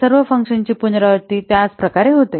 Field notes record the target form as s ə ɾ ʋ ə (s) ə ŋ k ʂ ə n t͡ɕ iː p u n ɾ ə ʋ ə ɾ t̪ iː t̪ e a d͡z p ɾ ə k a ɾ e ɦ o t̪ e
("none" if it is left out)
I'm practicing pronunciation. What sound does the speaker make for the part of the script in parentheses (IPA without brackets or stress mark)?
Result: f